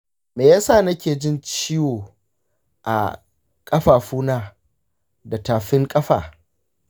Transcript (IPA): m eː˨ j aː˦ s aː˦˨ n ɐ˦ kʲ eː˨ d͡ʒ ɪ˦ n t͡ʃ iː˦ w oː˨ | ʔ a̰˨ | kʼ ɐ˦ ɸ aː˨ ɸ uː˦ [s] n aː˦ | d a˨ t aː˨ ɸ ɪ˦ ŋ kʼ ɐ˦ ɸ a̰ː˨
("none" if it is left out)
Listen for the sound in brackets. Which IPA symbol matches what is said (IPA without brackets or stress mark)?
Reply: none